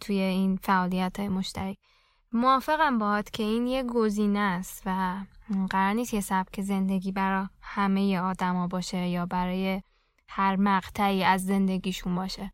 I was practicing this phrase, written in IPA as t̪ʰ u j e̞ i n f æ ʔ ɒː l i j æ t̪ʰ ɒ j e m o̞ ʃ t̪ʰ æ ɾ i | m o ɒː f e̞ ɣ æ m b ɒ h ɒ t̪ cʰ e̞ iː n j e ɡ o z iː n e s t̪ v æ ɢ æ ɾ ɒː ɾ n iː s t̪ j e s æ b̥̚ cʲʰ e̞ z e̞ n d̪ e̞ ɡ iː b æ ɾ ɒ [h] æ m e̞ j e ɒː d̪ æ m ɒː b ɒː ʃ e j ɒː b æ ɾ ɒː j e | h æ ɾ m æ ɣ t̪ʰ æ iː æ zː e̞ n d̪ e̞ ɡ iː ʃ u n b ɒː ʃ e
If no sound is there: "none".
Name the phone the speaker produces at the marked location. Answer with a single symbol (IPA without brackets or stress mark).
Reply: h